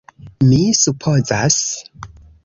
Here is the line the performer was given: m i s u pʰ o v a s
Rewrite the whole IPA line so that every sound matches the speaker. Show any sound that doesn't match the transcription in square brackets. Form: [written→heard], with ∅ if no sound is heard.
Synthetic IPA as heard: m i s u pʰ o [v→z] a s